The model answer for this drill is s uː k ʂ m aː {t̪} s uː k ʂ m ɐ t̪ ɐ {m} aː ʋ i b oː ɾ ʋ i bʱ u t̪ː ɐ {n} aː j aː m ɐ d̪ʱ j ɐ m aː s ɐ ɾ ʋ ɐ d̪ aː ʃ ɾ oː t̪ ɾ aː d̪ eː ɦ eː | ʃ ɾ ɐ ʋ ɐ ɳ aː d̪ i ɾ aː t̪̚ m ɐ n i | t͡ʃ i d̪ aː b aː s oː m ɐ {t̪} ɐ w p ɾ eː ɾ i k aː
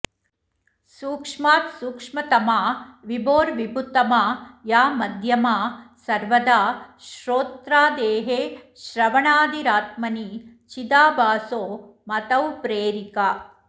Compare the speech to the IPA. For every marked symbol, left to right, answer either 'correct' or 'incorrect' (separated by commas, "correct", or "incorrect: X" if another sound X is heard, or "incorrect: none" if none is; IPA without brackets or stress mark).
correct, correct, incorrect: m, correct